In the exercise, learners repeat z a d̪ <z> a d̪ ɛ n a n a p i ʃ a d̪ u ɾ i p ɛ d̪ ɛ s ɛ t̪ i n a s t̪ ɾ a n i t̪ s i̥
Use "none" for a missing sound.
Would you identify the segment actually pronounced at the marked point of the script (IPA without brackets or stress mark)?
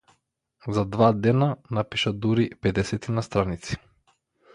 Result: v